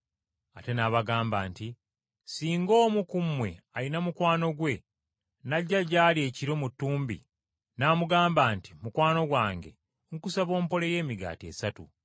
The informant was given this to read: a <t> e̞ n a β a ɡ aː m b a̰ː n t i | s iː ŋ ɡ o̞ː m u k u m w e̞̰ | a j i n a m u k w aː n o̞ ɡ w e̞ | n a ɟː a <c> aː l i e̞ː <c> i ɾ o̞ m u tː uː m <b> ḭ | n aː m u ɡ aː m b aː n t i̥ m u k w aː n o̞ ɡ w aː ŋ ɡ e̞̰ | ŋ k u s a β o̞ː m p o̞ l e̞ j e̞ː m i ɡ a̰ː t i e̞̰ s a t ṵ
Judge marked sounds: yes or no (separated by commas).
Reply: yes, no, yes, yes